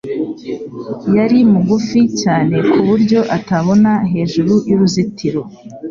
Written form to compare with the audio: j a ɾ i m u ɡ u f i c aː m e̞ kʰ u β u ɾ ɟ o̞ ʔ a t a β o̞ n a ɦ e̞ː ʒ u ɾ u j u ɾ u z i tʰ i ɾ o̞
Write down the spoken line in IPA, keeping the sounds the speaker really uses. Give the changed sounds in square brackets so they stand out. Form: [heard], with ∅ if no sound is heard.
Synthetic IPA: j a ɾ i m u ɡ u f i c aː [n] e̞ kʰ u β u ɾ ɟ o̞ ʔ a t a β o̞ n a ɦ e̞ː ʒ u ɾ u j u ɾ u z i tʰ i ɾ o̞